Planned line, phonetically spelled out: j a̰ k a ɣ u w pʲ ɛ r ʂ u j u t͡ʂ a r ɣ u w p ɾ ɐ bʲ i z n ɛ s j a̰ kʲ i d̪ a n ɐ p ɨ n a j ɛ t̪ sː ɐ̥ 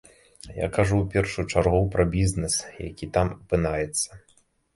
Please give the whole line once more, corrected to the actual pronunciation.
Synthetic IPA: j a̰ k a ʐ u w pʲ ɛ r ʂ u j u t͡ʂ a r ɣ u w p ɾ ɐ bʲ i z n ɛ s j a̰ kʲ i t̪ a m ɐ p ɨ n a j ɛ t̪ sː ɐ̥